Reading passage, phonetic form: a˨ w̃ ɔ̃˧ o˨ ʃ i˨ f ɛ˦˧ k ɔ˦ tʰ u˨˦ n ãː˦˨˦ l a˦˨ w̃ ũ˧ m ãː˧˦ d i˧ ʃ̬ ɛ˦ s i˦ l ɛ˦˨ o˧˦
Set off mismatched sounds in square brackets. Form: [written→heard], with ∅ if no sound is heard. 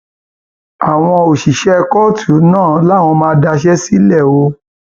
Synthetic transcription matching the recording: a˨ w̃ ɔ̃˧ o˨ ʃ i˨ [f→ʃ] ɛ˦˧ k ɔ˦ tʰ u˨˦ n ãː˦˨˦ l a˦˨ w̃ [ũ˧→ɔ̃˧] m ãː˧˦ d [i˧→a˧] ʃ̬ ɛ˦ s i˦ l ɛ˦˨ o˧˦